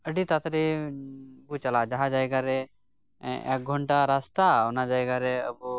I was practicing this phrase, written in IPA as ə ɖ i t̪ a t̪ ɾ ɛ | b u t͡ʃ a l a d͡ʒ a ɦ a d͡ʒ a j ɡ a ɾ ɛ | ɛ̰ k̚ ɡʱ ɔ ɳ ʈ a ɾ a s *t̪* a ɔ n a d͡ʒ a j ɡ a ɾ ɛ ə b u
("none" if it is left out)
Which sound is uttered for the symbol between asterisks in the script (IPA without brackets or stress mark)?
t̪